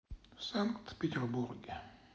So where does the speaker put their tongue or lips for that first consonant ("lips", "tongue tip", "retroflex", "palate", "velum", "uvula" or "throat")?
tongue tip